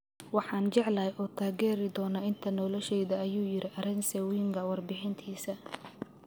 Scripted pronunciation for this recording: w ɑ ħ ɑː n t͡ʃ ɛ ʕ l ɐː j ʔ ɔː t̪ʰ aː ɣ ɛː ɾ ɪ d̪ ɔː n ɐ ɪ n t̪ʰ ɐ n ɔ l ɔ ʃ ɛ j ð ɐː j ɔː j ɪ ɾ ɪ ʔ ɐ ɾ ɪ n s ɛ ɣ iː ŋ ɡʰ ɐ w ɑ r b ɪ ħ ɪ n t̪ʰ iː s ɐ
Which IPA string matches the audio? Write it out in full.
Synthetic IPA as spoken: w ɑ ħ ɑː n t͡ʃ ɛ ʕ l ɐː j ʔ ɔː t̪ʰ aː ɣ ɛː ɾ ɪ d̪ ɔː n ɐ ɪ n t̪ʰ ɐ n ɔ l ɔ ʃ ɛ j ð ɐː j uː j ɪ ɾ ɪ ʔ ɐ ɾ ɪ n s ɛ w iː ŋ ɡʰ ɐ w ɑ r b ɪ ħ ɪ n t̪ʰ iː s ɐ

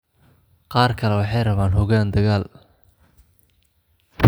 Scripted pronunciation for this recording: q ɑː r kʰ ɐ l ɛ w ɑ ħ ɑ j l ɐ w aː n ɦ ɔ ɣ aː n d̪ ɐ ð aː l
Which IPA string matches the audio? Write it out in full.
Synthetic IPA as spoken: q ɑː r kʰ ɐ l ɛ w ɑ ħ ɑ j r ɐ β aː n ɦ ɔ ɣ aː n d̪ ɐ ɣ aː l

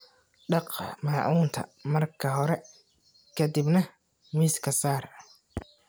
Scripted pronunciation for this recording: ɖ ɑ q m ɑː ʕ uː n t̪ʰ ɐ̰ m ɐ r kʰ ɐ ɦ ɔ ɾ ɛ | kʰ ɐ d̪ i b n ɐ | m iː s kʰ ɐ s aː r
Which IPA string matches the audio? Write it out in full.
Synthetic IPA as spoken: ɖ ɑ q m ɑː ʕ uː n t̪ʰ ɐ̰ m ɐ r kʰ ɐ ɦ ɔ ɾ ɛ | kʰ ɐ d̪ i b n ɐ | m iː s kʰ ɐ s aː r

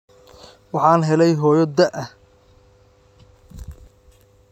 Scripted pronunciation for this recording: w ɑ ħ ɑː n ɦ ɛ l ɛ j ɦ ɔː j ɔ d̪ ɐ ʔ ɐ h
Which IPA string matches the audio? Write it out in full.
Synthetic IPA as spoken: w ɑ ħ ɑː n ɦ ɛ l ɛ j ɦ ɔː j ɔ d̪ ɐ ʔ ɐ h

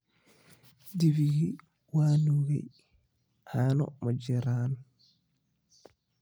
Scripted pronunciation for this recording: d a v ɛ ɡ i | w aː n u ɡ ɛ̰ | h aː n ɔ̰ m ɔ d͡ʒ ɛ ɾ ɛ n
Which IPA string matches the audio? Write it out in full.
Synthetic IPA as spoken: d i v i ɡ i | w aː n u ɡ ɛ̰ | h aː n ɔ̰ m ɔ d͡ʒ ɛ ɾ a n

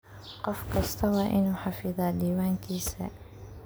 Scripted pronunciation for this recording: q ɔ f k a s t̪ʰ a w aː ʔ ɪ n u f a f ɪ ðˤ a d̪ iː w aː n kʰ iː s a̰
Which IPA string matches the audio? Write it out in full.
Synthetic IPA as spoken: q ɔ f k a s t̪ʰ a w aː ʔ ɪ n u ħ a f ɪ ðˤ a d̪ iː w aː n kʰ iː s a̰

